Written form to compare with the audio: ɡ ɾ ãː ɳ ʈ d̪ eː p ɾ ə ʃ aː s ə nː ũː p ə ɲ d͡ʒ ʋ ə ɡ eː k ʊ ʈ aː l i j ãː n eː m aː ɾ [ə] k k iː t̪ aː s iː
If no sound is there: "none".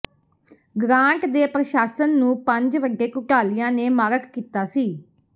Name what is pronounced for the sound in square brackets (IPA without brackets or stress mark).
ə